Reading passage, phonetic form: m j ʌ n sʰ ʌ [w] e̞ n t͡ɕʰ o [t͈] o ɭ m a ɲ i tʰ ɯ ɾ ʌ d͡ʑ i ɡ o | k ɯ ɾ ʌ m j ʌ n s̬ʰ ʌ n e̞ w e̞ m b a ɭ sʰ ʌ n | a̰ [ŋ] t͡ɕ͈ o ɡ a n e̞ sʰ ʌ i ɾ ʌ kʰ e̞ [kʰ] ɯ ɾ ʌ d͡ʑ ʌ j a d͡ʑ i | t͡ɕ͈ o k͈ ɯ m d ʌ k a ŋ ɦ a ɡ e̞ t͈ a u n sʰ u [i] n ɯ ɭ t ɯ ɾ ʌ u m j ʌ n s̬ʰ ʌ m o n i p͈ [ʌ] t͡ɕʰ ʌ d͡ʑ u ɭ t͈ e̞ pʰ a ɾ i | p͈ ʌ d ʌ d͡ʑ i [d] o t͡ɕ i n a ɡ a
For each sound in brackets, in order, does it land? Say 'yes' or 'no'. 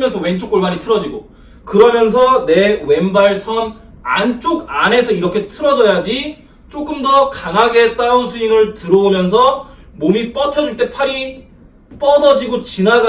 yes, no, no, no, yes, yes, no

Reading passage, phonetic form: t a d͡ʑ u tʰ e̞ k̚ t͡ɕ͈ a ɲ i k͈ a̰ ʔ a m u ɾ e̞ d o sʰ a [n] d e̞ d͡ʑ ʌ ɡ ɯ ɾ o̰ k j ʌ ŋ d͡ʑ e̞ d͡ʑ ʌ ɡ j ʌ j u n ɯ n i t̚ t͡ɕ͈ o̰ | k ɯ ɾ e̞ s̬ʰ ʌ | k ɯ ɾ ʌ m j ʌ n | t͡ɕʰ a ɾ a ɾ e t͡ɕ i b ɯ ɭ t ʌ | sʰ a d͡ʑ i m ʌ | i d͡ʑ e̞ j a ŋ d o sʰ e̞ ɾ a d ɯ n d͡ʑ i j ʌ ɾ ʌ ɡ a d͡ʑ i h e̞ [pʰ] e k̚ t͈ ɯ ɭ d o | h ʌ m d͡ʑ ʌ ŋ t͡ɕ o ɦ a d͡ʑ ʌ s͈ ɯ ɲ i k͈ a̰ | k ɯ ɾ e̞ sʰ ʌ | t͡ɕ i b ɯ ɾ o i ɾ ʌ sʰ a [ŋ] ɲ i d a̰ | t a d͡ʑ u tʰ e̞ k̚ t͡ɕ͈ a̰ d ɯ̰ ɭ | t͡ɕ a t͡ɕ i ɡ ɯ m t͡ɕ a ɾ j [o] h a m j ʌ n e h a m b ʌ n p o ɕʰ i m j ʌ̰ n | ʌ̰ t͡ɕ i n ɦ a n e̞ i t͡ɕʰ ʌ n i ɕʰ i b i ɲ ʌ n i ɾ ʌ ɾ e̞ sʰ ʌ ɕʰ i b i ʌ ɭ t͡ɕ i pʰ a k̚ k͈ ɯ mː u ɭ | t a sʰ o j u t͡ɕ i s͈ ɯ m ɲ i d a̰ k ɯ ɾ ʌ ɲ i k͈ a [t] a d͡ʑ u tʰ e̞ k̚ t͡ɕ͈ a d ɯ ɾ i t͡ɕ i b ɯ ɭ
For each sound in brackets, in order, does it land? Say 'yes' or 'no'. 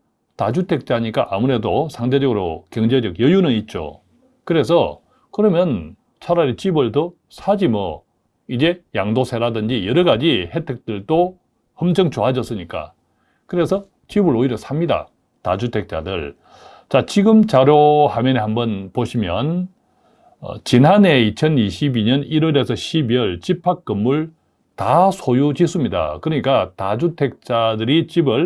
no, no, no, yes, yes

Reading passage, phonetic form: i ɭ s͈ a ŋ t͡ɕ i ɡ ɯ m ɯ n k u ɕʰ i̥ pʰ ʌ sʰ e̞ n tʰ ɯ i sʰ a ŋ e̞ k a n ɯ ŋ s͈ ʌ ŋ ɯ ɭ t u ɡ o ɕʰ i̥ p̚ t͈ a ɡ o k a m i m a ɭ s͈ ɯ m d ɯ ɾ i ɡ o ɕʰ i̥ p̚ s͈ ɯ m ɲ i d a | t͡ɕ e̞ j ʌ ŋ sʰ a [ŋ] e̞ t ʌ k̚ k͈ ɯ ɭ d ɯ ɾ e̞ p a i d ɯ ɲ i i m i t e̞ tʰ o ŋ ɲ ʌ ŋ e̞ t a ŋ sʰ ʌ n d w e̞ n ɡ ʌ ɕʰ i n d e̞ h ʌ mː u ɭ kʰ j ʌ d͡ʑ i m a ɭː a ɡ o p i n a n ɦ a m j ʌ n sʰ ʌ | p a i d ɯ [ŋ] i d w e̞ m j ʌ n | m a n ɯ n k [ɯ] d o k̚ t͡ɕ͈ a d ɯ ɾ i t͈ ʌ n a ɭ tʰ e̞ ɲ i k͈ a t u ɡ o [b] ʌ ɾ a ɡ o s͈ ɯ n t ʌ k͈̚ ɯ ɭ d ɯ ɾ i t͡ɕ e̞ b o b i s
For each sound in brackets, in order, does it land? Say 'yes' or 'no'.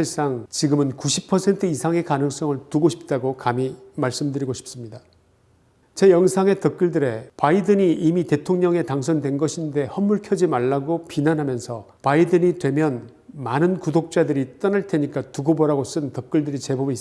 yes, no, no, yes

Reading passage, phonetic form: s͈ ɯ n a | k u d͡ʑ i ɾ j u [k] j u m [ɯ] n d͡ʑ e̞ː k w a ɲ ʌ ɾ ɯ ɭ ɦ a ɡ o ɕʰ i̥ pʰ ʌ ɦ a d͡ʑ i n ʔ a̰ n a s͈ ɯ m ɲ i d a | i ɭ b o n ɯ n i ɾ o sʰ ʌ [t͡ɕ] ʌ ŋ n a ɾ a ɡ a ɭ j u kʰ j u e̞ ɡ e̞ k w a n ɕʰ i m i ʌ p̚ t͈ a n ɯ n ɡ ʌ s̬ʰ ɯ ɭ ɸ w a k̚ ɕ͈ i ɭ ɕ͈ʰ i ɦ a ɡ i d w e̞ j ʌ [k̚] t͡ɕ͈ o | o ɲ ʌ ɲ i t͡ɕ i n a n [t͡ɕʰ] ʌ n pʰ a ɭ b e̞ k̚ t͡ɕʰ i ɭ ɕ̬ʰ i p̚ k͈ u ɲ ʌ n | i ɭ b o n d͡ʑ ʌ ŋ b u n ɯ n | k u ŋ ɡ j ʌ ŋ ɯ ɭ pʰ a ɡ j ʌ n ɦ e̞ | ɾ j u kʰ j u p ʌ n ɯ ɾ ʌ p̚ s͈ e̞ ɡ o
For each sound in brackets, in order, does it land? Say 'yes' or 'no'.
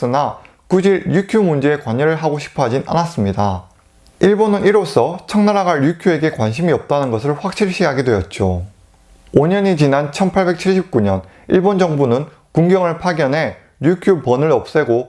no, no, no, no, yes

